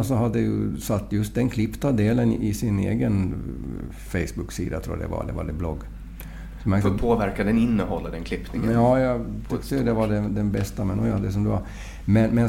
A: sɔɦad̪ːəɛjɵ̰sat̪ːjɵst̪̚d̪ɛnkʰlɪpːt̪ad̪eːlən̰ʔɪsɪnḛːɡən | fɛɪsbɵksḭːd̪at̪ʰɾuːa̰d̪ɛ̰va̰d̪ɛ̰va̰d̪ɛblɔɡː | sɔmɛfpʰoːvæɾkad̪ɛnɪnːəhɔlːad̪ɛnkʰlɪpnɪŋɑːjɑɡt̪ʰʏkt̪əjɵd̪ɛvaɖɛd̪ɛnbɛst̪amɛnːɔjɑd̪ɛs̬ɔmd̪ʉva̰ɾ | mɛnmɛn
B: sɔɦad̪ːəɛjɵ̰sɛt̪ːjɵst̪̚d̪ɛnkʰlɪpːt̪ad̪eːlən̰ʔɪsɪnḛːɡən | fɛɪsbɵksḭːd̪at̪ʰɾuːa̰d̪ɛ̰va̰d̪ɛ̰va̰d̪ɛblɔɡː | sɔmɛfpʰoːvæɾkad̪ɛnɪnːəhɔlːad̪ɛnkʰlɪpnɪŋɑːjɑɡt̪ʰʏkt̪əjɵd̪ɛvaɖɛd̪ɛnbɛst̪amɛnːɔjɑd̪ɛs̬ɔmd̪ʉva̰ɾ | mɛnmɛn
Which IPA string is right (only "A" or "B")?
A